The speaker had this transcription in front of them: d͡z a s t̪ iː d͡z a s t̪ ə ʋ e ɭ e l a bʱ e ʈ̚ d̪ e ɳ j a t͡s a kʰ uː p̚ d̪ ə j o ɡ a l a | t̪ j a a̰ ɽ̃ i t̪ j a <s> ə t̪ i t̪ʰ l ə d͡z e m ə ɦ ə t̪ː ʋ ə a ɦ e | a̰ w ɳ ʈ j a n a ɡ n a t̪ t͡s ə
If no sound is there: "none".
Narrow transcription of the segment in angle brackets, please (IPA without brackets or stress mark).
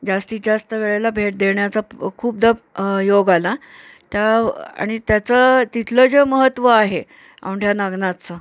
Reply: t͡s